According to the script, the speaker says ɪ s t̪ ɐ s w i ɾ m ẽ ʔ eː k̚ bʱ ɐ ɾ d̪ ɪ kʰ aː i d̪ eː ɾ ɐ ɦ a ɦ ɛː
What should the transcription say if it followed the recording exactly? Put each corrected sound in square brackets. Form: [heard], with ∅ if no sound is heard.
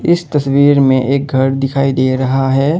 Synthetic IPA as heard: ɪ s t̪ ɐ s w [iː] ɾ m ẽ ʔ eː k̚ [ɡʱ] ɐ ɾ d̪ ɪ kʰ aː i d̪ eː ɾ ɐ ɦ a ɦ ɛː